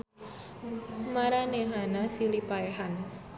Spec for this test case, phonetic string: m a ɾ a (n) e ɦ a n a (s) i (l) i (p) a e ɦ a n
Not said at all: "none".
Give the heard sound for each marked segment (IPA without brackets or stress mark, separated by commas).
n, s, l, p